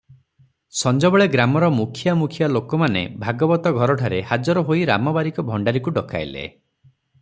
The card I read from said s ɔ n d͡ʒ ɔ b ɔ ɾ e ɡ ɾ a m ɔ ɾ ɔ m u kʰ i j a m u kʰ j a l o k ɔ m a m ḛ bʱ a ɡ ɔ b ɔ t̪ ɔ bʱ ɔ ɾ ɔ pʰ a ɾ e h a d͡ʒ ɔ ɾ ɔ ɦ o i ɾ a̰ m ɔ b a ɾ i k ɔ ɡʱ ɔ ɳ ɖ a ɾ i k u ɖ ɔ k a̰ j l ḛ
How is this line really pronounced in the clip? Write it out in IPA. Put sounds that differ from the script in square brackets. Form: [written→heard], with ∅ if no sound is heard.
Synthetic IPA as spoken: s ɔ n d͡ʒ ɔ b ɔ [ɾ→ɭ] e ɡ ɾ a m ɔ ɾ ɔ m u kʰ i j a m u kʰ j a l o k ɔ m a [m→n] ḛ bʱ a ɡ ɔ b ɔ t̪ ɔ [bʱ→ɡʱ] ɔ ɾ ɔ [pʰ→ʈʰ] a ɾ e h a d͡ʒ ɔ ɾ ɔ ɦ o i ɾ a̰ m ɔ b a ɾ i k ɔ [ɡʱ→bʱ] ɔ ɳ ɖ a ɾ i k u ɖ ɔ k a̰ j l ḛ